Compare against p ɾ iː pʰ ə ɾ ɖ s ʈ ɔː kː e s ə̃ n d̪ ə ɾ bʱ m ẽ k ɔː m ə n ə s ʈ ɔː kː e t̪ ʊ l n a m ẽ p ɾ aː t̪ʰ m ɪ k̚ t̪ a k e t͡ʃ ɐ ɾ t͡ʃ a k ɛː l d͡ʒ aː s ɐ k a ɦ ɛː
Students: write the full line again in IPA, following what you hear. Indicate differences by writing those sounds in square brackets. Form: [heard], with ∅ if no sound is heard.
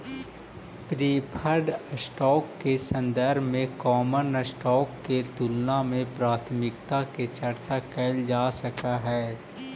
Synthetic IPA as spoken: p ɾ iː pʰ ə ɾ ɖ s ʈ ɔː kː e s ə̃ n d̪ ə ɾ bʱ m ẽ k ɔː m ə n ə s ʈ ɔː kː e t̪ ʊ l n a m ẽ p ɾ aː t̪ʰ m ɪ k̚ t̪ a k e t͡ʃ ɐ ɾ t͡ʃ a k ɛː l d͡ʒ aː s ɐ k a ɦ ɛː

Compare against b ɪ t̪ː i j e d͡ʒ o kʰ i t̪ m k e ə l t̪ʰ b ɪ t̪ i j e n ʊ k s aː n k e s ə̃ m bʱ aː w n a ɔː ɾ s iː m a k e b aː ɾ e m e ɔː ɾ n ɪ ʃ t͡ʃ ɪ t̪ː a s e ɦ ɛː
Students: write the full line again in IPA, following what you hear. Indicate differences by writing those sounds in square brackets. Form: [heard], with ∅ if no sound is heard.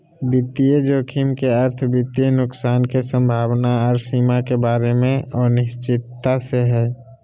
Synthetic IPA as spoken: b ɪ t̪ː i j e d͡ʒ o kʰ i [∅] m k e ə [ɾ] t̪ʰ b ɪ t̪ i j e n ʊ k s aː n k e s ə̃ m bʱ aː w n a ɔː ɾ s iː m a k e b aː ɾ e m [ẽ] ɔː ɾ n ɪ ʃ t͡ʃ ɪ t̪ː a s e ɦ ɛː

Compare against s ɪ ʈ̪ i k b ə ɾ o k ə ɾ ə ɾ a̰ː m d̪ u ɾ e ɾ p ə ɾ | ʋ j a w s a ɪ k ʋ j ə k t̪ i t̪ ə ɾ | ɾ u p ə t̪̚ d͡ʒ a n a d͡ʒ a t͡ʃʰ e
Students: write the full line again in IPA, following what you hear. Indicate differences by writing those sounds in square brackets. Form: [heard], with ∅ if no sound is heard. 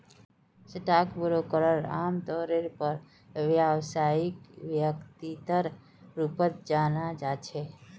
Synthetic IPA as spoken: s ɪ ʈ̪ [a] k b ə ɾ o k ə ɾ ə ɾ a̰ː m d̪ [ɔ] ɾ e ɾ p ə ɾ | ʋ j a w s a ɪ k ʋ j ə k t̪ i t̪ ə ɾ | ɾ u p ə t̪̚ d͡ʒ a n a d͡ʒ a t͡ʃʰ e

